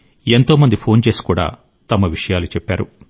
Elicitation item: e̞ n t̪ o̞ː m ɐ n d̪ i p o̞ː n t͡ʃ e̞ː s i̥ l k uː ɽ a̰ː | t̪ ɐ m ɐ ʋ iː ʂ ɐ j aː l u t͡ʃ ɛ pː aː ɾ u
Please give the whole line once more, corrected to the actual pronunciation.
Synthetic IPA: e̞ n t̪ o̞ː m ɐ n d̪ i pʰ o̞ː n t͡ʃ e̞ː s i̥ k uː ɽ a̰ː | t̪ ɐ m ɐ ʋ i ʂ ɐ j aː l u t͡ʃ ɛ pː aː ɾ u

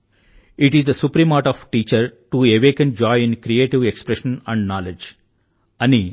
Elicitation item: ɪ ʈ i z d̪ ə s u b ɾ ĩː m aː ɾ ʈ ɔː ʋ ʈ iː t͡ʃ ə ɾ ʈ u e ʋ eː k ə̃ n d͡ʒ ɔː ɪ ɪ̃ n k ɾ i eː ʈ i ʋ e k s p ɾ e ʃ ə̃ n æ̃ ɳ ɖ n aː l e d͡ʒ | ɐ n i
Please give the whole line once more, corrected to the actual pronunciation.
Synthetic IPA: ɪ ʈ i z d̪ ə s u p ɾ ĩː m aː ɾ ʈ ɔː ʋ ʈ iː t͡ʃ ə ɾ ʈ u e ʋ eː k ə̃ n d͡ʒ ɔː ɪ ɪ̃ n k ɾ i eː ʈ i ʋ e k s p ɾ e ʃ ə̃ n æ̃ ɳ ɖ n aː l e d͡ʒ | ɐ n i

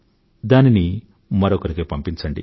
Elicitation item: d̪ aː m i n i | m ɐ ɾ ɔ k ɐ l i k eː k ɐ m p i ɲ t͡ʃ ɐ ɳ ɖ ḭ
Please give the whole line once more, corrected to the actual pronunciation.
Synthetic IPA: d̪ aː n i n i | m ɐ ɾ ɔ k ɐ ɾ i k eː p ɐ m p i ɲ t͡ʃ ɐ ɳ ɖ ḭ

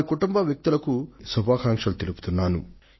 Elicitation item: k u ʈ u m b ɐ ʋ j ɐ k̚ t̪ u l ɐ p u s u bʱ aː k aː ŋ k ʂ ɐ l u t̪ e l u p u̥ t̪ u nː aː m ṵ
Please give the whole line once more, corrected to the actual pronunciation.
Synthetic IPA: k u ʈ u m b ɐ ʋ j ɐ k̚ t̪ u l ɐ k u s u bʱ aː k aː ŋ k ʂ ɐ l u t̪ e l u p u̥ t̪ u nː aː n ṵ

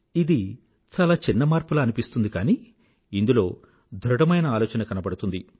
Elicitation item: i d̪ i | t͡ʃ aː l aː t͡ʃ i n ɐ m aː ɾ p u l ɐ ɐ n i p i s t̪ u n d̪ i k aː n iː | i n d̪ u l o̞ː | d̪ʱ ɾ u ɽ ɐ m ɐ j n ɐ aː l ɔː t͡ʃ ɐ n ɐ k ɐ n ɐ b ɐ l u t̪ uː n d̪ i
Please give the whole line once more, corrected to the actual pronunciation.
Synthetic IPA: i d̪ i | t͡ʃ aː l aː t͡ʃ i nː ɐ m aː ɾ p u l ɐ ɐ n i p i s t̪ u n d̪ i k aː n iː | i n d̪ u l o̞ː | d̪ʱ ɾ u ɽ ɐ m ɐ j n ɐ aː l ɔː t͡ʃ ɐ n ɐ k ɐ n ɐ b ɐ ɽ u t̪ u n d̪ i

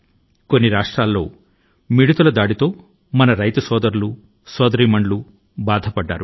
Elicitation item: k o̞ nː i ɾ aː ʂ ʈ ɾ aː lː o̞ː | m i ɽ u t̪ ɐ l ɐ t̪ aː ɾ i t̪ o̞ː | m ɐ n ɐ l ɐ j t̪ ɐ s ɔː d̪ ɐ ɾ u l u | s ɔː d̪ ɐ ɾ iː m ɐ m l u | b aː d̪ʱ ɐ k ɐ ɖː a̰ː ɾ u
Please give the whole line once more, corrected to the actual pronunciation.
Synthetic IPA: k o̞ nː i ɾ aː ʂ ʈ ɾ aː lː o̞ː | m i ɽ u t̪ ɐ l ɐ d̪ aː ɽ i t̪ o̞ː | m ɐ n ɐ ɾ ɐ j t̪ ɐ s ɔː d̪ ɐ ɾ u l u | s ɔː d̪ ɐ ɾ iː m ɐ ɳ l u | b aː d̪ʱ ɐ p ɐ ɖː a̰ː ɾ u

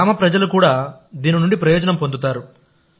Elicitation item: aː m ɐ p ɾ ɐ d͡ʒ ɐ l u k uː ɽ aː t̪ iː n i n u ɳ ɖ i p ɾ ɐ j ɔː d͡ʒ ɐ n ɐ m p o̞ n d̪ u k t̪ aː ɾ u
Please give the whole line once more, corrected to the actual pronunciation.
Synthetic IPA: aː m ɐ p ɾ ɐ d͡ʒ ɐ l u k uː ɽ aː d̪ iː n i n u ɳ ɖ i p ɾ ɐ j ɔː d͡ʒ ɐ n ɐ m p o̞ n d̪ u t̪ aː ɾ u

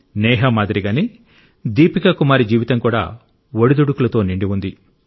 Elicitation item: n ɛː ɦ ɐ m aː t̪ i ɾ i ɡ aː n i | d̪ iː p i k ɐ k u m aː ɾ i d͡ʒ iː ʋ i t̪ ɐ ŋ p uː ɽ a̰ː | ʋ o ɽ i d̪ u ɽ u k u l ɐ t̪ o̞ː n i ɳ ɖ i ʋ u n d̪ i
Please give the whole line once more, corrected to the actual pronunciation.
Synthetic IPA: n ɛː ɦ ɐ m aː d̪ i ɾ i ɡ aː n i | d̪ iː p i k ɐ k u m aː ɾ i d͡ʒ iː ʋ i t̪ ɐ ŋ k uː ɽ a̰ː | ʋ o ɽ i d̪ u ɽ u k u l ɐ t̪ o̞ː n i ɳ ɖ i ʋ u n d̪ i

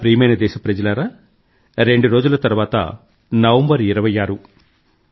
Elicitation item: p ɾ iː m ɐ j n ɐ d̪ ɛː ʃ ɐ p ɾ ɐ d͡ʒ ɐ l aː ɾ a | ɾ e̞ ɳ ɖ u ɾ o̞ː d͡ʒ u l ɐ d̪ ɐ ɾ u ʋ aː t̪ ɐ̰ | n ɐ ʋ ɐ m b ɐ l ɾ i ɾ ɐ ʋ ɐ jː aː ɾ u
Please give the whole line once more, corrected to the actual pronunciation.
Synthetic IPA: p ɾ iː m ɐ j n ɐ d̪ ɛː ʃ ɐ p ɾ ɐ d͡ʒ ɐ l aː ɾ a | ɾ e̞ ɳ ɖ u ɾ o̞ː d͡ʒ u l ɐ t̪ ɐ ɾ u ʋ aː t̪ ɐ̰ | n ɐ ʋ ɐ m b ɐ ɾ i ɾ ɐ ʋ ɐ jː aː ɾ u

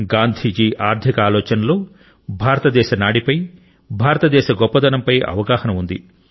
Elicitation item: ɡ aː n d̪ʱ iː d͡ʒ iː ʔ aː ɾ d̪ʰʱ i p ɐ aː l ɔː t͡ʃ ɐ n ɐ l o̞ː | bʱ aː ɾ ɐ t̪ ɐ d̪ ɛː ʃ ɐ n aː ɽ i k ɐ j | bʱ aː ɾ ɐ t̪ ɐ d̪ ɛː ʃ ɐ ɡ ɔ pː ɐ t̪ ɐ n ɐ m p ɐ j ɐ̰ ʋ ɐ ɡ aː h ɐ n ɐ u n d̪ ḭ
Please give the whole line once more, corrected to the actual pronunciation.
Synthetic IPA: ɡ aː n d̪ʱ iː d͡ʒ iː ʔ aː ɾ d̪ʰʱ i k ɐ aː l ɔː t͡ʃ ɐ n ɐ l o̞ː | bʱ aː ɾ ɐ t̪ ɐ d̪ ɛː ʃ ɐ n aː ɽ i p ɐ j | bʱ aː ɾ ɐ t̪ ɐ d̪ ɛː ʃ ɐ ɡ ɔ pː ɐ d̪ ɐ n ɐ m p ɐ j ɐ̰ ʋ ɐ ɡ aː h ɐ n ɐ u n d̪ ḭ

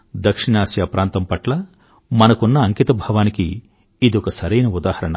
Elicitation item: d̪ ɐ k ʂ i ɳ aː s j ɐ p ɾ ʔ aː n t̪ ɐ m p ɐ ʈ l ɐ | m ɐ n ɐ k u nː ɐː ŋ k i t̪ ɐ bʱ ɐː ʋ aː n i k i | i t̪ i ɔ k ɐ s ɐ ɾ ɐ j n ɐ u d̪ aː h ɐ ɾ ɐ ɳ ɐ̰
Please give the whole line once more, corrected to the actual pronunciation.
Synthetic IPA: d̪ ɐ k ʂ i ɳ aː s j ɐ p ɾ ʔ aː n t̪ ɐ m p ɐ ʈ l ɐ | m ɐ n ɐ k u nː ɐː ŋ k i t̪ ɐ bʱ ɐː ʋ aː n i k i | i d̪ i ɔ k ɐ s ɐ ɾ ɐ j n ɐ u d̪ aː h ɐ ɾ ɐ ɳ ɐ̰

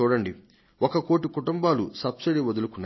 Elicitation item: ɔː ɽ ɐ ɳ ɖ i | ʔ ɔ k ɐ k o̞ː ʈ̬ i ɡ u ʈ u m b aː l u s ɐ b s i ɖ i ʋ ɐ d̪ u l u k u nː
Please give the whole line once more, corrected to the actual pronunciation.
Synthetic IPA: uː ɽ ɐ ɳ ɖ i | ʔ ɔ k ɐ k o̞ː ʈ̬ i k u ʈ u m b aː l u s ɐ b s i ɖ i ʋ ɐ d̪ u l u k u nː

